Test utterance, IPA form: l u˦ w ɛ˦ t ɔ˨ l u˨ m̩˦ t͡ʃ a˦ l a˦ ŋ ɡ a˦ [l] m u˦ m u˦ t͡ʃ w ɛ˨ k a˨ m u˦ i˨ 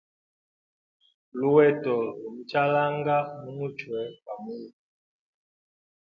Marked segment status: incorrect: none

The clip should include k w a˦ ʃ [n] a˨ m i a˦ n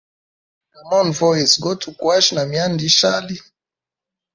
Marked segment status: correct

